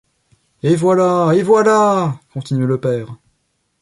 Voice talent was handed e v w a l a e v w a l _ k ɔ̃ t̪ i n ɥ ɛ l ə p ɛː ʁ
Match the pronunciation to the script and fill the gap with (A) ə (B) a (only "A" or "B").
B